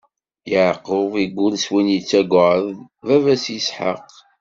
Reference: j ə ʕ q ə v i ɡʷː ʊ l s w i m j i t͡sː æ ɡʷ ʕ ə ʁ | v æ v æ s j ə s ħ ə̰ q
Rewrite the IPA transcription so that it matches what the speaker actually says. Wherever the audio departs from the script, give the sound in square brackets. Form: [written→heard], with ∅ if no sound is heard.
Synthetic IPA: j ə ʕ q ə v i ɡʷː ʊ l s w i [m→n] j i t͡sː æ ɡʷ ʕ ə [ʁ→ð] | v æ v æ s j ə s ħ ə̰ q